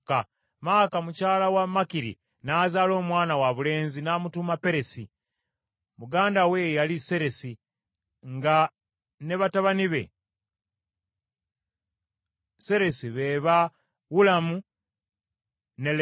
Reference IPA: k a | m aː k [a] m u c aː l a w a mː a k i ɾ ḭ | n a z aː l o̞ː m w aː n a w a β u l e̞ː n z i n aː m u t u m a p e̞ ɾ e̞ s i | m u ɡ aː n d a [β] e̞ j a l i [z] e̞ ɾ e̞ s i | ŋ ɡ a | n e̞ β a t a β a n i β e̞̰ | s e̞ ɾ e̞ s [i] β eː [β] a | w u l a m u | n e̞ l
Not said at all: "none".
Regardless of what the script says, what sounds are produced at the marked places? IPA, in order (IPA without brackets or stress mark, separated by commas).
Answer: a, w, s, i, β